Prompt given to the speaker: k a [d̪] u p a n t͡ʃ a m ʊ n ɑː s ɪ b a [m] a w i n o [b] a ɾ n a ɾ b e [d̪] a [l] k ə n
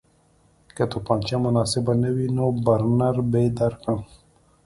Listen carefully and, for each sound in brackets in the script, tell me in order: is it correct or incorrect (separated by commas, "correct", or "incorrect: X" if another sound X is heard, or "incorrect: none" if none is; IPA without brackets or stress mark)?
incorrect: t̪, incorrect: n, correct, correct, incorrect: ɾ